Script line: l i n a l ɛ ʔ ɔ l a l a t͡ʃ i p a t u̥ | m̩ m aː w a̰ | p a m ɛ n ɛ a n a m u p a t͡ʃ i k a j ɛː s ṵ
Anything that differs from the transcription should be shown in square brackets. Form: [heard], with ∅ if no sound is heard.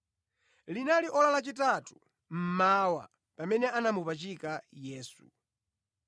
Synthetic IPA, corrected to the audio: l i n a l [i] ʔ ɔ l a l a t͡ʃ i [t] a t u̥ | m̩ m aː w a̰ | p a m ɛ n ɛ a n a m u p a t͡ʃ i k a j ɛː s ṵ